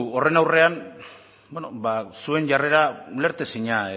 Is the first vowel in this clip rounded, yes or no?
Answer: yes